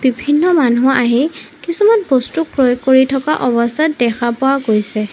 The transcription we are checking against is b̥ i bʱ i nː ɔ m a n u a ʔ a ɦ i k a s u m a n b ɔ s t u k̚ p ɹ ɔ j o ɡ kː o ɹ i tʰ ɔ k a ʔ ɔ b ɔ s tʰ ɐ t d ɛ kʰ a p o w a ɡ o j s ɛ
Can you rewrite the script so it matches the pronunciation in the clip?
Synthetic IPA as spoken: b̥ i bʱ i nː ɔ m a n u a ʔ a ɦ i k i s u m a n b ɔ s t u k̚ p ɹ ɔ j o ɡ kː o ɹ i tʰ ɔ k a ʔ ɔ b ɔ s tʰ a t d ɛ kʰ a p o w a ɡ o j s ɛ